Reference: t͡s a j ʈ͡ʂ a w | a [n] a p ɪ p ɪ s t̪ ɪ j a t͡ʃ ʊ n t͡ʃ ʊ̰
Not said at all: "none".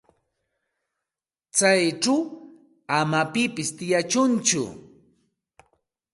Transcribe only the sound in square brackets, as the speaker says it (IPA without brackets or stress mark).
m